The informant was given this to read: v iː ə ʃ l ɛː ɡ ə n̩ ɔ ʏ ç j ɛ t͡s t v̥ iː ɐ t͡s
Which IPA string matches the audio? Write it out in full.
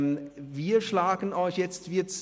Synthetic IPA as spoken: v iː ɐ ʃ l aː ɡ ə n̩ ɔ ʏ ç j ɛ t͡s t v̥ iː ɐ t͡s